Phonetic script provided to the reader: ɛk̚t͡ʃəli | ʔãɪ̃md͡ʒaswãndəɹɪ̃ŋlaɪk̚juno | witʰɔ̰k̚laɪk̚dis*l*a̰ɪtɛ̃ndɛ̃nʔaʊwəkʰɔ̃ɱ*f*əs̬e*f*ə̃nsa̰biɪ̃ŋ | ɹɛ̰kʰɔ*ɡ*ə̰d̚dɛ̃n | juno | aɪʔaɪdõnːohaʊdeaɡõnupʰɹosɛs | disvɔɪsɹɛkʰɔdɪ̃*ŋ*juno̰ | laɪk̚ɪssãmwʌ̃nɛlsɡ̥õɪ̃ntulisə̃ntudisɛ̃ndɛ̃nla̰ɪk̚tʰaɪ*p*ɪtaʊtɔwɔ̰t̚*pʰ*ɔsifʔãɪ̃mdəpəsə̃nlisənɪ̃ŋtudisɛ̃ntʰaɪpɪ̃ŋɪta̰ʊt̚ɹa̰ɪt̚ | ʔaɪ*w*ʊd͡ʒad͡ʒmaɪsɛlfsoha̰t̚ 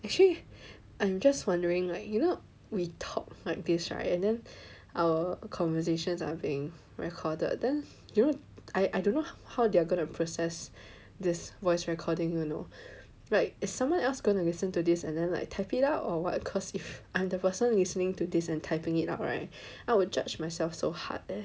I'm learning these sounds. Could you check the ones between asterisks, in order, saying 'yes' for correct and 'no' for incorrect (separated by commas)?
no, no, no, no, yes, yes, no, yes